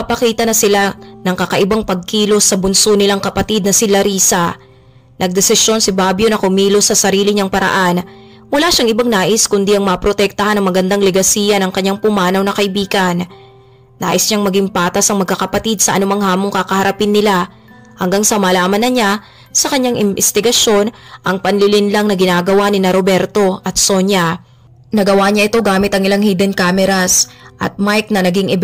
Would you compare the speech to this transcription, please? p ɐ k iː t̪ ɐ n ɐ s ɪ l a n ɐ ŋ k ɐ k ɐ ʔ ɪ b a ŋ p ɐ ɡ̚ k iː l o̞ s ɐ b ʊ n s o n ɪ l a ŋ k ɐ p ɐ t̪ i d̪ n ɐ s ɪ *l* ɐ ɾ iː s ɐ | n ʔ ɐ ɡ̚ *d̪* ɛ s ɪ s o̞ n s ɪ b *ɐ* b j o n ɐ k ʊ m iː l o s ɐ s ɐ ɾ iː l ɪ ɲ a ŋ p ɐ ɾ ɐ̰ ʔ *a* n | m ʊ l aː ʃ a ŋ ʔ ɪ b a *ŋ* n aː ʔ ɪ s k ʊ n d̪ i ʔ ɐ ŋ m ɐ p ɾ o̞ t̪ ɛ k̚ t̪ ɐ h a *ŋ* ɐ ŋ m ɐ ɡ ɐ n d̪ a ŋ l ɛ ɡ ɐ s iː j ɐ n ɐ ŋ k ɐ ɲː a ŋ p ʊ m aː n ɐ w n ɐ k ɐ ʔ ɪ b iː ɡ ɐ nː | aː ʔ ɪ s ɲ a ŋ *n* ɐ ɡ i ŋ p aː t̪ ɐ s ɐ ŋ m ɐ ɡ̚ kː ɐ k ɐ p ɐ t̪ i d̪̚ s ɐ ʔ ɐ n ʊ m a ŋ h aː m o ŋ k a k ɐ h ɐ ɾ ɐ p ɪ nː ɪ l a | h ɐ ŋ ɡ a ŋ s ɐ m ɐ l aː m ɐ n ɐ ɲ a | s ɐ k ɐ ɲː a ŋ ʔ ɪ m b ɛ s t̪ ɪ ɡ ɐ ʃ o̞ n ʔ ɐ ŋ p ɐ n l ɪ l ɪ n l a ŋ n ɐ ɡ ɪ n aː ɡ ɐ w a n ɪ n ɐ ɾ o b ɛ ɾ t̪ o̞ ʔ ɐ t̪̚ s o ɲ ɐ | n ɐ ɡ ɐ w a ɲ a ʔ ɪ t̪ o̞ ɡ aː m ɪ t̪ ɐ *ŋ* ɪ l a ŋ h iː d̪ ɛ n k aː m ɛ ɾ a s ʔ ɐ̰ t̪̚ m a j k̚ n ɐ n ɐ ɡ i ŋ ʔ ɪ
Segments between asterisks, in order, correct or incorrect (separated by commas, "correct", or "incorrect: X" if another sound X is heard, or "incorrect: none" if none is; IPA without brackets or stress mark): correct, correct, incorrect: a, correct, correct, incorrect: n, incorrect: m, correct